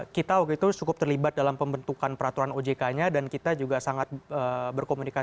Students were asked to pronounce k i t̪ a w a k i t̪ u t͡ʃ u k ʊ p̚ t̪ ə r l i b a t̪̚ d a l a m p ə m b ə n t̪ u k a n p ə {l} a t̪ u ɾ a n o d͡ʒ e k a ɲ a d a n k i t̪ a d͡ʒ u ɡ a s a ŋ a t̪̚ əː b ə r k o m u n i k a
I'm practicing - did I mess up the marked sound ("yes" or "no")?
yes